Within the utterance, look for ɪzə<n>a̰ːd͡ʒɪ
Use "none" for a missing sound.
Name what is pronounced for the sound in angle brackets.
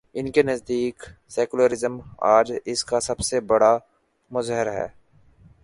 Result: m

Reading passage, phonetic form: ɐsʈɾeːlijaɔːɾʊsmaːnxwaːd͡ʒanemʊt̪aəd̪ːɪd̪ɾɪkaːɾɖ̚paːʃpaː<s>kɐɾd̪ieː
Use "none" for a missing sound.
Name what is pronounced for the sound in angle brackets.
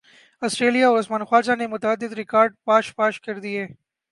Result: ʃ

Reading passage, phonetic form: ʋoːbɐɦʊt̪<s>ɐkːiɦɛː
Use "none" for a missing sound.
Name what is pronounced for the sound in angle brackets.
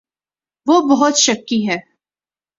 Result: ʃ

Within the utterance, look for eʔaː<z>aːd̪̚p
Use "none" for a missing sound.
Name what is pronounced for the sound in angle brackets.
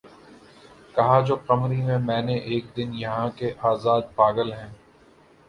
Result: z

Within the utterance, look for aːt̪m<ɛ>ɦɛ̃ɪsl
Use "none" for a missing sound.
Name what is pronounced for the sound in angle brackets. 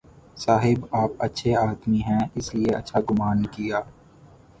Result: i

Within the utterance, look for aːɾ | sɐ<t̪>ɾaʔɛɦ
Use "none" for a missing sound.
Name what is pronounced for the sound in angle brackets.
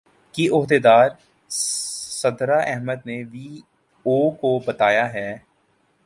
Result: d̪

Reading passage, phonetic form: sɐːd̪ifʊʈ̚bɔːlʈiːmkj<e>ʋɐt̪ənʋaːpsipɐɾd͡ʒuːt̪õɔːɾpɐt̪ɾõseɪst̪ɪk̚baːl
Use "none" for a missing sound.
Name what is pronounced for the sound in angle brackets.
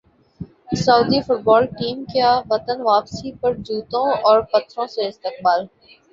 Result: a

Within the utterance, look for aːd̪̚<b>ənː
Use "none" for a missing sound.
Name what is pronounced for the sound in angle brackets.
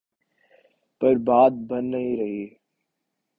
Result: b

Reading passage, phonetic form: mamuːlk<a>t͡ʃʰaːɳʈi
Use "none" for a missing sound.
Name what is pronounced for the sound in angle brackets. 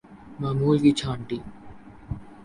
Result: i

